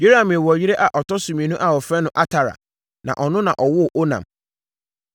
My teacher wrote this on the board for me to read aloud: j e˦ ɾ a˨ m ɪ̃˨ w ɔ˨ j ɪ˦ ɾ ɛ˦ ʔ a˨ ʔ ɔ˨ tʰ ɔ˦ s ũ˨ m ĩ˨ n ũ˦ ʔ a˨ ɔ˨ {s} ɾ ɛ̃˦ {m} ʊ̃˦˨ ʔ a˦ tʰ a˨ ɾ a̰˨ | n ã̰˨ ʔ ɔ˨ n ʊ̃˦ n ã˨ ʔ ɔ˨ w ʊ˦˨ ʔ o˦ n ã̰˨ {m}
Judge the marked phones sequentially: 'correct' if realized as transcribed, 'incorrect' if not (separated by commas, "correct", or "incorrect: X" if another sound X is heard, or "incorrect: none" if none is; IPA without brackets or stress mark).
incorrect: f, incorrect: n, correct